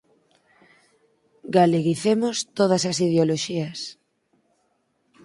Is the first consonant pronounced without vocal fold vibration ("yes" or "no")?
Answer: no